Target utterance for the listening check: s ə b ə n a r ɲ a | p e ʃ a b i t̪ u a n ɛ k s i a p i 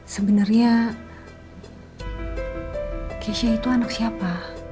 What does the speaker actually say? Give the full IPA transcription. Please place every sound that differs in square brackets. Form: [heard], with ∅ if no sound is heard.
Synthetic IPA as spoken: s ə b ə n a r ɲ a | [k] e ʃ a [∅] i t̪ u a n [a] k s i a p [a]